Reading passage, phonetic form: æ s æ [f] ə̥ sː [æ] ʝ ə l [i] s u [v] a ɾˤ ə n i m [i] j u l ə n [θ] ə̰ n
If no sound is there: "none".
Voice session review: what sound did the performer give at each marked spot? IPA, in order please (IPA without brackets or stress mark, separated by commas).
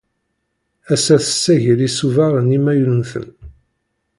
θ, æ, i, v, æ, θ